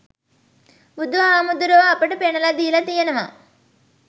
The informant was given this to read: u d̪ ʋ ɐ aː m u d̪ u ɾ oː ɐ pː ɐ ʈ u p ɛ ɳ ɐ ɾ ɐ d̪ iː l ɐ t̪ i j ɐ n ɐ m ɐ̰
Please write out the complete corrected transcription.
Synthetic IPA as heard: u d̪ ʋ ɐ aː m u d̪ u ɾ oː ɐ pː ɐ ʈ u p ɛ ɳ ɐ l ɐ d̪ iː l ɐ t̪ i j ɐ n ɐ m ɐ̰